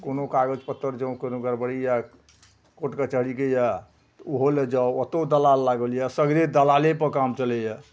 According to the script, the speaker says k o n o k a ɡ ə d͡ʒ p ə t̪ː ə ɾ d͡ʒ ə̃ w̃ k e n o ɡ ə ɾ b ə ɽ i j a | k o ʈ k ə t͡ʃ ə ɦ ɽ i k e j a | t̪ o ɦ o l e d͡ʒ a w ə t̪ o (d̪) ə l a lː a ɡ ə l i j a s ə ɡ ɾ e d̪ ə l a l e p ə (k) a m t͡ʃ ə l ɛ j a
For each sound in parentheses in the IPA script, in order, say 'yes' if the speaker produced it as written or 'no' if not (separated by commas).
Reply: yes, yes